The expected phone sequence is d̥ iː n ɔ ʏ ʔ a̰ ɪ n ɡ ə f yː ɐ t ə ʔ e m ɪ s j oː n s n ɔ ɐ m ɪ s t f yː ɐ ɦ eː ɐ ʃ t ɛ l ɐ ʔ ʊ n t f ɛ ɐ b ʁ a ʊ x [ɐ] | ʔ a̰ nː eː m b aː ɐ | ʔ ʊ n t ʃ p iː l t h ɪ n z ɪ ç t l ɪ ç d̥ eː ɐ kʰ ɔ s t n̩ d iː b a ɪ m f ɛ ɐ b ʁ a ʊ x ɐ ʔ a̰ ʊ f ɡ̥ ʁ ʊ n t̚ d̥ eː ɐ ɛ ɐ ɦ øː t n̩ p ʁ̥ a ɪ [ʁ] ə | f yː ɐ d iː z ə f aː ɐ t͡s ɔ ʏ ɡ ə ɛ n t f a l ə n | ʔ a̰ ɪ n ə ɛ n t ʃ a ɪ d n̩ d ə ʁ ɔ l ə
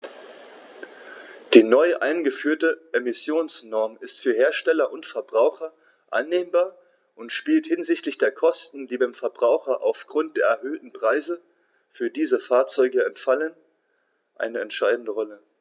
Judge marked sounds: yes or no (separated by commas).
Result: yes, no